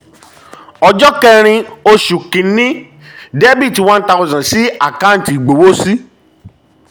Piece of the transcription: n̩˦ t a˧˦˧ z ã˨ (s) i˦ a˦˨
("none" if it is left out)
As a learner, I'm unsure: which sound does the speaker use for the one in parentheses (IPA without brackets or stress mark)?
s